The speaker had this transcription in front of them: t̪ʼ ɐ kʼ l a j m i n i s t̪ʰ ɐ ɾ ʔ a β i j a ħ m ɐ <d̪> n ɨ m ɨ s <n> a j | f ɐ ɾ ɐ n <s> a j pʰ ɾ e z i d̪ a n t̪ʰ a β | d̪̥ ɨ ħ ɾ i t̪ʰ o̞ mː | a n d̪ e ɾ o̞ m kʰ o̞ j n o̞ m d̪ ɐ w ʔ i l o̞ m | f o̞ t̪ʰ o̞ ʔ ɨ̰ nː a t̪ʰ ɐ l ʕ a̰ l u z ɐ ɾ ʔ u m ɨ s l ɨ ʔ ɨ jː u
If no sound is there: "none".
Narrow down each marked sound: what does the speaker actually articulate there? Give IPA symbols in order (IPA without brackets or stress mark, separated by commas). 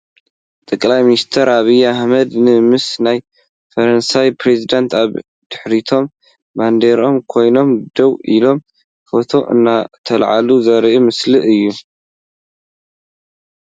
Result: d̪, n, s